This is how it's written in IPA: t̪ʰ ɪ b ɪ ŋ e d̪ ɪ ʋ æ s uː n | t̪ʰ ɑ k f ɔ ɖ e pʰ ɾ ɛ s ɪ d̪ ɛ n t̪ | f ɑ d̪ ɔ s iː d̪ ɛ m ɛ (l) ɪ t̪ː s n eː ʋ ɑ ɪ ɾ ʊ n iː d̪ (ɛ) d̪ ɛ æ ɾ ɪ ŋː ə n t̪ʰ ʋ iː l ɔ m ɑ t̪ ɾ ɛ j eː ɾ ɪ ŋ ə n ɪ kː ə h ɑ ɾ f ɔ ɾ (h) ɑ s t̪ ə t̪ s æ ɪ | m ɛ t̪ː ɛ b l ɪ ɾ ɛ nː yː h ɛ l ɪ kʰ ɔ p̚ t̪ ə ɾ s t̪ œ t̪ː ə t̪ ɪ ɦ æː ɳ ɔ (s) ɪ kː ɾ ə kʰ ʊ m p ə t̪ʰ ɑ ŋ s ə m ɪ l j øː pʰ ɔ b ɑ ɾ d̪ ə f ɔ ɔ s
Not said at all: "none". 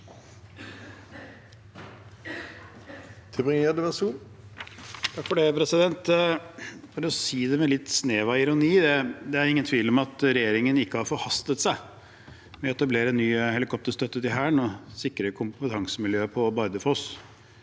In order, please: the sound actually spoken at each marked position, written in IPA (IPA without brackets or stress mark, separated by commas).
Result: l, ɛ, h, s